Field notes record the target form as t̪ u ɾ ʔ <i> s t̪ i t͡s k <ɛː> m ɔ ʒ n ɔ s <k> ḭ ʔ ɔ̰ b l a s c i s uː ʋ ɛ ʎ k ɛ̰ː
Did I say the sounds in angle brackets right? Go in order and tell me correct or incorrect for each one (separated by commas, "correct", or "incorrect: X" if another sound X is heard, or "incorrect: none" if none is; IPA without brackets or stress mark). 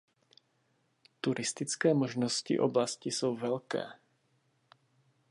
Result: correct, correct, incorrect: c